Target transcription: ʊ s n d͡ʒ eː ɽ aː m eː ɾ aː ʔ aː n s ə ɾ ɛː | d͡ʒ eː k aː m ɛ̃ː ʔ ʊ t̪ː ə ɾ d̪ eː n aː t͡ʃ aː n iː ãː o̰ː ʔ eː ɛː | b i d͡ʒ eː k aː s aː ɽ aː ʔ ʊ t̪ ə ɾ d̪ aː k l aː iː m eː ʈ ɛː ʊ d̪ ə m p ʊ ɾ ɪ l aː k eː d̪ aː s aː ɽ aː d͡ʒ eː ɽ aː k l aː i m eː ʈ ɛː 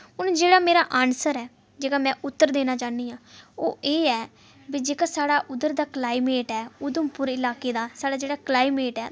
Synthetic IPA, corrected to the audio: ʊ n d͡ʒ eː ɽ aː m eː ɾ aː ʔ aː n s ə ɾ ɛː | d͡ʒ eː k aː m ɛ̃ː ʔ ʊ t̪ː ə ɾ d̪ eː n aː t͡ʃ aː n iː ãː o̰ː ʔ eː ɛː | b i d͡ʒ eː k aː s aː ɽ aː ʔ ʊ d̪ ə ɾ d̪ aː k l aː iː m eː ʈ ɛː ʊ d̪ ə m p ʊ ɾ ɪ l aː k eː d̪ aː s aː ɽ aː d͡ʒ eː ɽ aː k l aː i m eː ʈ ɛː